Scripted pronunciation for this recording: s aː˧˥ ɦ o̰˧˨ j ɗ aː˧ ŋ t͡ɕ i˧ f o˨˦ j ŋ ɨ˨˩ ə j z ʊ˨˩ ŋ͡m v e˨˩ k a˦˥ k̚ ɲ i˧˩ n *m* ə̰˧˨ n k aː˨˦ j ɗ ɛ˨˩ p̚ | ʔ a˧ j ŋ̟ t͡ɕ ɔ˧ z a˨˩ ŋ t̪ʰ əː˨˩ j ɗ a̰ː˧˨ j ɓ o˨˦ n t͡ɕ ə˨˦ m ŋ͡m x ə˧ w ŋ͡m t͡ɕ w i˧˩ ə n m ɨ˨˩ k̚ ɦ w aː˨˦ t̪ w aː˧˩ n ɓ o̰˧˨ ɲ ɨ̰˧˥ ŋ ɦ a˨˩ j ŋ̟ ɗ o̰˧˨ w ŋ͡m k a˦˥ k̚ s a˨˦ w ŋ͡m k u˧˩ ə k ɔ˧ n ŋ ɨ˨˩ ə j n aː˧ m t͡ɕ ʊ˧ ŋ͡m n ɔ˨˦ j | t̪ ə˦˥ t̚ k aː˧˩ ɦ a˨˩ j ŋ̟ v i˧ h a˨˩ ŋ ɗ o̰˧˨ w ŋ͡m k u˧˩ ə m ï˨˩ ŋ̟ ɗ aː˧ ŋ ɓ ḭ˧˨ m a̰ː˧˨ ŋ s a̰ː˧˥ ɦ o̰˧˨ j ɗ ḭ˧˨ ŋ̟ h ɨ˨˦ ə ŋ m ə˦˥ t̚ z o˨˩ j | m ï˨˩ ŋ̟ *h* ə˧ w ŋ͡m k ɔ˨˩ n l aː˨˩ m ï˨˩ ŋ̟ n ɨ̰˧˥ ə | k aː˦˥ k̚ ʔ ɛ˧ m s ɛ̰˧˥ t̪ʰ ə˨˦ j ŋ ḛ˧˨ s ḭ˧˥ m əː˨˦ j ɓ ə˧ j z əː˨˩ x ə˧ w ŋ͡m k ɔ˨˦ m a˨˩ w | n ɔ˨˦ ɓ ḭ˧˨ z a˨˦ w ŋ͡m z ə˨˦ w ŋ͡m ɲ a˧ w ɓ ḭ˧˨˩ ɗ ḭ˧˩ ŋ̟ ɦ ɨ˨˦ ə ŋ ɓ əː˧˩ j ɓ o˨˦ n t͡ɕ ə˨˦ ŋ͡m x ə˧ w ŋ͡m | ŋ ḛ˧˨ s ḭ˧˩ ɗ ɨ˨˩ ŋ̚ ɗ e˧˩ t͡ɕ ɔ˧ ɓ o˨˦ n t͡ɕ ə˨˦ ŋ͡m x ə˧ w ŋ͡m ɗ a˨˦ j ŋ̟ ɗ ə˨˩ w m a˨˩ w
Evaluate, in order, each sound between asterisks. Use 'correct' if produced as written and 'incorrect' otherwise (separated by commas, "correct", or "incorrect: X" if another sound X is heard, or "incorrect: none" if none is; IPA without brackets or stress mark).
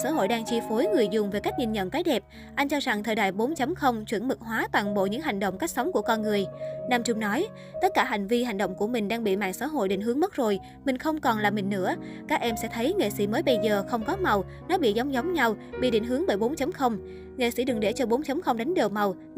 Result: incorrect: ɲ, incorrect: x